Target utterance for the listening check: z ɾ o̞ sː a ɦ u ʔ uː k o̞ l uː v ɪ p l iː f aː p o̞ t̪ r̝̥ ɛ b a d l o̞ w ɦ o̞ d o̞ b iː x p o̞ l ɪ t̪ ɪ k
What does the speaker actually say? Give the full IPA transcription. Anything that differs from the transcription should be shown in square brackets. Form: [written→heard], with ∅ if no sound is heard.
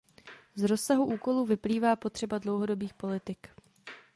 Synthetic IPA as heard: z ɾ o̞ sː a ɦ u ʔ uː k o̞ l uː v ɪ p l iː [f→v] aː p o̞ t̪ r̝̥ ɛ b a d l o̞ w ɦ o̞ d o̞ b iː x p o̞ l ɪ t̪ ɪ k